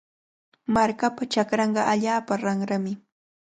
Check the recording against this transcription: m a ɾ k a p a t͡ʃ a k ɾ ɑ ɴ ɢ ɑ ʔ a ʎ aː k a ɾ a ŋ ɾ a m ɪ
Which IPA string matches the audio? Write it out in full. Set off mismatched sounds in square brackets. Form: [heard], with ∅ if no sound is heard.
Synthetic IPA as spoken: m a ɾ k a p a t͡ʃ a k ɾ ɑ ɴ ɢ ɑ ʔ a ʎ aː [p] a ɾ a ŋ ɾ a m ɪ